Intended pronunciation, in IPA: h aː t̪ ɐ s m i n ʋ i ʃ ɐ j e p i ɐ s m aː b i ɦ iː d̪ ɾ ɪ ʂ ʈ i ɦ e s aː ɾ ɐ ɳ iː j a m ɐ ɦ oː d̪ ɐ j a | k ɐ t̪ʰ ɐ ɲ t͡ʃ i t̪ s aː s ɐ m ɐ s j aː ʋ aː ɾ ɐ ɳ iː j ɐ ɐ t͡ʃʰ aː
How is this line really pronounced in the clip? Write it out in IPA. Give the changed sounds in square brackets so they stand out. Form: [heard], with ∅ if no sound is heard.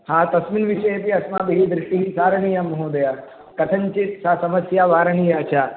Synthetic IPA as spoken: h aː t̪ ɐ s m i n ʋ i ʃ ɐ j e p i ɐ s m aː b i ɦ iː d̪ ɾ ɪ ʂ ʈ i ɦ [i] s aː ɾ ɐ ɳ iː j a m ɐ ɦ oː d̪ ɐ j a | k ɐ t̪ʰ ɐ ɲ t͡ʃ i t̪ s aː s ɐ m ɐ s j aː ʋ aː ɾ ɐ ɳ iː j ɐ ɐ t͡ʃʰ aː